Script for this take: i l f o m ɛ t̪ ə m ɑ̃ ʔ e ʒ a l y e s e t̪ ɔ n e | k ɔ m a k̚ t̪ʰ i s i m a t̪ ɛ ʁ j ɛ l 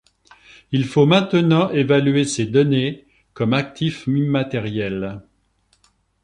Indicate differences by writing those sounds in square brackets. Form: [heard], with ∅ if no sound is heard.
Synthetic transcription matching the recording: i l f o m [ɛ̃] t̪ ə [n] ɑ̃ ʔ e [v] a l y e s e [d̪] ɔ n e | k ɔ m a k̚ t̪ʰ i [f] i m a t̪ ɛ ʁ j ɛ l

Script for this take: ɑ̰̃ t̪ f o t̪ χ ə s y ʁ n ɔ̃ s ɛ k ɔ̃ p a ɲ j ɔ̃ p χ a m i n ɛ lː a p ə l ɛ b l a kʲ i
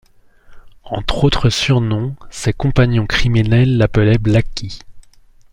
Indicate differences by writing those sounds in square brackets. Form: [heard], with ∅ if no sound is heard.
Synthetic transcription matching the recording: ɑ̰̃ t̪ [χ] o t̪ χ ə s y ʁ n ɔ̃ s ɛ k ɔ̃ p a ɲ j ɔ̃ [k] χ [i] m i n ɛ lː a p ə l ɛ b l a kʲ i

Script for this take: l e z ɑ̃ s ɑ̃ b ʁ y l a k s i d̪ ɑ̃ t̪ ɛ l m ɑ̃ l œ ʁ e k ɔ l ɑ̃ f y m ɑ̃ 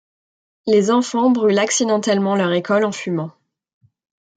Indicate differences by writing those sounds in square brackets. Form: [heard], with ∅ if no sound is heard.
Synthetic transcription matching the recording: l e z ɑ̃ [f] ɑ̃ b ʁ y l a k s i d̪ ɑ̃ t̪ ɛ l m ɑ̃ l œ ʁ e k ɔ l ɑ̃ f y m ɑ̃

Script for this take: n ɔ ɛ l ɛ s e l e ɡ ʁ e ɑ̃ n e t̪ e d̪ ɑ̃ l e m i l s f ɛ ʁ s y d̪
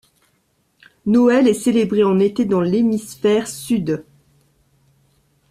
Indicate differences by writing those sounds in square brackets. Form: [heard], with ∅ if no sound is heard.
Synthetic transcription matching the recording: n ɔ ɛ l ɛ s e l e [b] ʁ e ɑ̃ n e t̪ e d̪ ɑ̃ l e m i [∅] s f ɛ ʁ s y d̪

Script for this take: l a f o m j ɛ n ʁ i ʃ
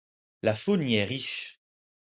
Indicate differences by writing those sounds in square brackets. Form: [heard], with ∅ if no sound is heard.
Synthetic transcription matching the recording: l a f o [n] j ɛ [∅] ʁ i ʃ

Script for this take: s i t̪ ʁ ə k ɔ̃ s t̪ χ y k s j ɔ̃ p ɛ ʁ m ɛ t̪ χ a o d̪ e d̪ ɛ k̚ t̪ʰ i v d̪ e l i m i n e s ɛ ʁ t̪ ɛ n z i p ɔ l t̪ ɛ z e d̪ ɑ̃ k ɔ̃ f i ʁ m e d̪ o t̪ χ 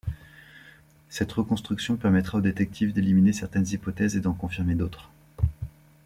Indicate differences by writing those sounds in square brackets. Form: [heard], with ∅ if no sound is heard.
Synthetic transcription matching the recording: s [ɛ] t̪ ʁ ə k ɔ̃ s t̪ χ y k s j ɔ̃ p ɛ ʁ m ɛ t̪ χ a o d̪ e [t̪] ɛ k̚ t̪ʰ i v d̪ e l i m i n e s ɛ ʁ t̪ ɛ n z i p ɔ [∅] t̪ ɛ z e d̪ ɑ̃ k ɔ̃ f i ʁ m e d̪ o t̪ χ

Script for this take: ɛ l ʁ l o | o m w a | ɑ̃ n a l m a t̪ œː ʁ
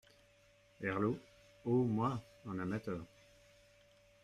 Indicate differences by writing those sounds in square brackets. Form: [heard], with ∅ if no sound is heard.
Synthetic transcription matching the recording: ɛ [∅] ʁ l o | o m w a | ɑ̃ n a [∅] m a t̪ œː ʁ

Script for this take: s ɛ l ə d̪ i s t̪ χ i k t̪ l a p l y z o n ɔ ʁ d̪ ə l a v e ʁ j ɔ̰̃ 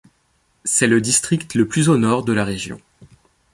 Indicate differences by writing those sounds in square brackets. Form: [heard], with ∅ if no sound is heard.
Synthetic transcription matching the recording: s ɛ l ə d̪ i s t̪ χ i k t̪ l [ə] p l y z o n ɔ ʁ d̪ ə l a [ʁ] e [ʒ] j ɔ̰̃

